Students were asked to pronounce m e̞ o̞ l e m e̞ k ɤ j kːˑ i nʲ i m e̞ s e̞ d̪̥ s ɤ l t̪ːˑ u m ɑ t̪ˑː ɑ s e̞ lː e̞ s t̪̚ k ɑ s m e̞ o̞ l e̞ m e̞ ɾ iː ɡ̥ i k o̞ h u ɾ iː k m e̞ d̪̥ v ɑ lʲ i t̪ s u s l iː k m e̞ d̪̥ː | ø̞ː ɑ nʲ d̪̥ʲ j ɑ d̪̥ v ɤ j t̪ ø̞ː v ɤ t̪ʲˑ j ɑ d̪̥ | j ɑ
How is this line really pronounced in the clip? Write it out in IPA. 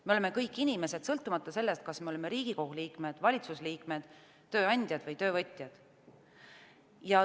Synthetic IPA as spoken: m e̞ o̞ l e m e̞ k ɤ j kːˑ i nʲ i m e̞ s e̞ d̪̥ s ɤ l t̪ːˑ u m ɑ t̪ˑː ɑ s e̞ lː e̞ s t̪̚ k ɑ s m e̞ o̞ l e̞ m e̞ ɾ iː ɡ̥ i k o̞ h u l iː k m e̞ d̪̥ v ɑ lʲ i t̪ s u s l iː k m e̞ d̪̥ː | ø̞ː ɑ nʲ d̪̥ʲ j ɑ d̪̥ v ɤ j t̪ ø̞ː v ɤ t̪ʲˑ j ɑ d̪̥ | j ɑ